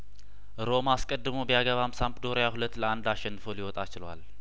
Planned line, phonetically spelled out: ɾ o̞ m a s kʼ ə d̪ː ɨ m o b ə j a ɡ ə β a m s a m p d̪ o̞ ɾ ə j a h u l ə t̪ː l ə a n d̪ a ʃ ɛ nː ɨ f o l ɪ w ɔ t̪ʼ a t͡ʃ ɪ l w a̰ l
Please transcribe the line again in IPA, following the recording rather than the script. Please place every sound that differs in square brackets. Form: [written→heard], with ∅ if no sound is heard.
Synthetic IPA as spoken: ɾ o̞ m a s kʼ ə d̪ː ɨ m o b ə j a ɡ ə β a m s a m p d̪ o̞ ɾ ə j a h u l ə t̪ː l ə a n d̪ a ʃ ɛ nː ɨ f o l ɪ w ɔ t̪ʼ a t͡ʃ ɪ l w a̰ l